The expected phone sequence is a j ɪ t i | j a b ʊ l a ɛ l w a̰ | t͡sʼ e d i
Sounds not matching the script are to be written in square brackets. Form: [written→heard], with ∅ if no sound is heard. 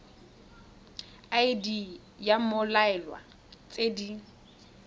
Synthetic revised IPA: a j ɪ [t→d] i | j a [b→m] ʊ l a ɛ l w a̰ | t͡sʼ e d i